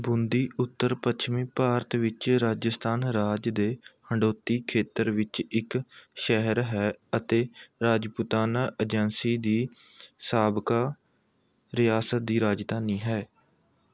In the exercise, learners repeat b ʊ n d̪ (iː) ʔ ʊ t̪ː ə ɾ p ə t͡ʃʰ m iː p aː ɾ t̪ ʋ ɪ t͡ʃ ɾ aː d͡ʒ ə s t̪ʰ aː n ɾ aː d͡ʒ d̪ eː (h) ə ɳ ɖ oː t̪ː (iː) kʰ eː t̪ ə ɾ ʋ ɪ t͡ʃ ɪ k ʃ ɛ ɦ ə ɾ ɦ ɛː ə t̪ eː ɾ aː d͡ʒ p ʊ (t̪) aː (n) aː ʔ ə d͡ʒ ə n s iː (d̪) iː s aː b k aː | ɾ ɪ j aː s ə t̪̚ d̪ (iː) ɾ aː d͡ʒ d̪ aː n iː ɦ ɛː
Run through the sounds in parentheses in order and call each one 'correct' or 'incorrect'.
correct, correct, correct, correct, correct, correct, correct

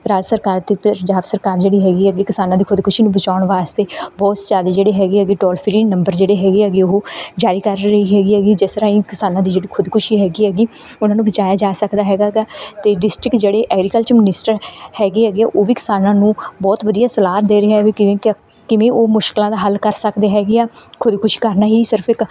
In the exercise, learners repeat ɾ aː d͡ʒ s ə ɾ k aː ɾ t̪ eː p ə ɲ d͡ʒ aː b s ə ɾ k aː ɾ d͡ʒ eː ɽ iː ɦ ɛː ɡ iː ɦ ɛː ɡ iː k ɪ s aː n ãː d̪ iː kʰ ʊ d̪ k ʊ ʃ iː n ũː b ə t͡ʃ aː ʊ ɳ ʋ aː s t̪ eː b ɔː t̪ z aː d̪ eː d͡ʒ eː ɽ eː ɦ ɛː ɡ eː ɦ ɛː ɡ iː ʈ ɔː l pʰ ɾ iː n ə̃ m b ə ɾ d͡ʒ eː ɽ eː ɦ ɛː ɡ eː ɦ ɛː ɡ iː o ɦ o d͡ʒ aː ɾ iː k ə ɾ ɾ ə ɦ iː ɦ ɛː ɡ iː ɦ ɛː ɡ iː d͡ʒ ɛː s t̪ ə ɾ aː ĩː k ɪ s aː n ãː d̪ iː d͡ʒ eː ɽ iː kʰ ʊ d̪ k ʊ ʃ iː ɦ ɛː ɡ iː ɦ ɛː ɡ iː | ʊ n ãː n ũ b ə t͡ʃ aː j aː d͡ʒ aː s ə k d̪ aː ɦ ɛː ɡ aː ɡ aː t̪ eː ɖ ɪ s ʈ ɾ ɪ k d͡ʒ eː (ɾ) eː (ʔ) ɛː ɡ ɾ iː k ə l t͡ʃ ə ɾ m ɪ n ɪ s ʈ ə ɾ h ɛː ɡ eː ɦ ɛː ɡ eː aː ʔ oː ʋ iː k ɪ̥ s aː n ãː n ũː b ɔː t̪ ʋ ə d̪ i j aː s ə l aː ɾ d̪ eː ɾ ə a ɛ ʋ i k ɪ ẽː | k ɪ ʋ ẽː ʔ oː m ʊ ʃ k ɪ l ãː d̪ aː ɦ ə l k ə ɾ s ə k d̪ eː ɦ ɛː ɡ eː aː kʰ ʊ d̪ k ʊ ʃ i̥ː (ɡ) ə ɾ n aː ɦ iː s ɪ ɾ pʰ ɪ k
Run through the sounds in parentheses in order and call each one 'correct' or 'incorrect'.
incorrect: ɽ, correct, incorrect: k

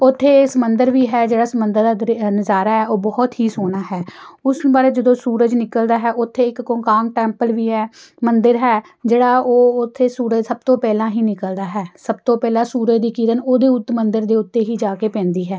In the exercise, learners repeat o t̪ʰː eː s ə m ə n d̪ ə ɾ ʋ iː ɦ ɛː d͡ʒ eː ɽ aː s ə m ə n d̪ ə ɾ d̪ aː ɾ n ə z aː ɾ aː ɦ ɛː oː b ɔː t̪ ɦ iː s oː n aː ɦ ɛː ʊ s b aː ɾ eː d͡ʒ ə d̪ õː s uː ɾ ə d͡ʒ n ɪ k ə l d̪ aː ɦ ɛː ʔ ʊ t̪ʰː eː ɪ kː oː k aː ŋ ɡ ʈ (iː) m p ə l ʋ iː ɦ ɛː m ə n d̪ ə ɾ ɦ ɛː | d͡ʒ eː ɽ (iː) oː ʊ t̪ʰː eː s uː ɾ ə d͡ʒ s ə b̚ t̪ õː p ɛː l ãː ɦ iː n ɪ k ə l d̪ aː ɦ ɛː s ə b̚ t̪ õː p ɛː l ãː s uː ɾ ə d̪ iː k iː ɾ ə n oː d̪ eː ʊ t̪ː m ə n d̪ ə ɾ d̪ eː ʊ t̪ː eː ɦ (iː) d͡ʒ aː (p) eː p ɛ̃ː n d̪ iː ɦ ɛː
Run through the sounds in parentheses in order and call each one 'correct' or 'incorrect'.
incorrect: ɛː, incorrect: aː, correct, incorrect: k

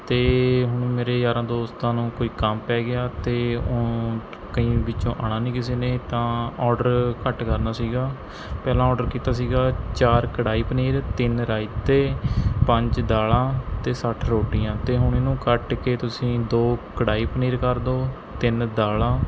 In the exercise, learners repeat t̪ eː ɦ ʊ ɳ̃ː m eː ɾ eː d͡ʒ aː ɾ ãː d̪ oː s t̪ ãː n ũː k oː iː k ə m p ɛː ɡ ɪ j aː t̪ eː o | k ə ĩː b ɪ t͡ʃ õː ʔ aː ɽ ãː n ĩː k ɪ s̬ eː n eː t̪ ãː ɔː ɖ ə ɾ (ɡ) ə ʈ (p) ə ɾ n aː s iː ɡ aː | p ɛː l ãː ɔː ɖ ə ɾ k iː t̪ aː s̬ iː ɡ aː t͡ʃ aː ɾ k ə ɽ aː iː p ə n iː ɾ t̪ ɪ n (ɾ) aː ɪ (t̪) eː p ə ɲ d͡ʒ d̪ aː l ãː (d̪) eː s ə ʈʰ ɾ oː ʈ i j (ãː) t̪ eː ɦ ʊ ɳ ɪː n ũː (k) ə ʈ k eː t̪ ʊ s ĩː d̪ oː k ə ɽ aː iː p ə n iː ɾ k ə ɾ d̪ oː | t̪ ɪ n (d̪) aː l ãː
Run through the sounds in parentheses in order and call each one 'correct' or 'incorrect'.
incorrect: k, incorrect: k, correct, correct, incorrect: t̪, correct, correct, correct

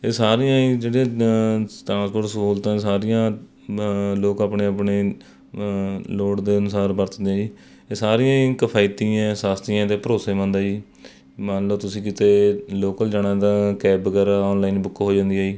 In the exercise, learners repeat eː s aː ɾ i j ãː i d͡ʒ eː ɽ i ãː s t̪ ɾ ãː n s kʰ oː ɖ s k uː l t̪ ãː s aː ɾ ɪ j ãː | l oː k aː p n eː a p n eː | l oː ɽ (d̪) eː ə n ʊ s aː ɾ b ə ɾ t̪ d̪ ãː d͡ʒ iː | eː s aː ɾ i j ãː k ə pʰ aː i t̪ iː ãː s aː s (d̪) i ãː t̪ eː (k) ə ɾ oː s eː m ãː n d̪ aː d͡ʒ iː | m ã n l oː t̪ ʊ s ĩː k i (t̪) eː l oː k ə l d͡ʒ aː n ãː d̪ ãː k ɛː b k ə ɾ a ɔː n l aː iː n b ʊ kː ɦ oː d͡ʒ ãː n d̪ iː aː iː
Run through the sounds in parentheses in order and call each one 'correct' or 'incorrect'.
correct, incorrect: t̪, incorrect: p, correct

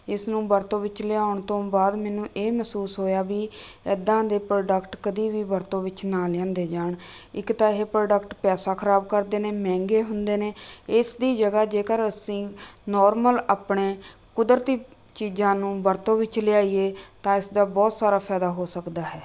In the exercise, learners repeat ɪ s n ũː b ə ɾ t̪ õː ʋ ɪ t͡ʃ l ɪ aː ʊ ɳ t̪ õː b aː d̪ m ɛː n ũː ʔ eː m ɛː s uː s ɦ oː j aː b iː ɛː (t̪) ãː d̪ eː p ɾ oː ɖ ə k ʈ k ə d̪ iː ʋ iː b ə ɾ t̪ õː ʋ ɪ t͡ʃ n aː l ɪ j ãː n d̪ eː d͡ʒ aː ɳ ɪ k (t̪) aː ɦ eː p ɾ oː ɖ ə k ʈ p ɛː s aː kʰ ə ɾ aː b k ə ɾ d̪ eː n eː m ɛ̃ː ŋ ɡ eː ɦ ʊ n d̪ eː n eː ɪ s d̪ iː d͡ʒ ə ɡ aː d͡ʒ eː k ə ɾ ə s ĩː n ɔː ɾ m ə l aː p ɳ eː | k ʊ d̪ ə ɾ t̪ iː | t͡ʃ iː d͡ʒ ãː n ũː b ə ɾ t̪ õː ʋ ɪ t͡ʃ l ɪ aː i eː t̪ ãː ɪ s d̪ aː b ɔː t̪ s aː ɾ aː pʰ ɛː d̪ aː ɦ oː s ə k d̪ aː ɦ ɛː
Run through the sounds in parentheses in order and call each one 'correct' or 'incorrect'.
incorrect: d̪, correct

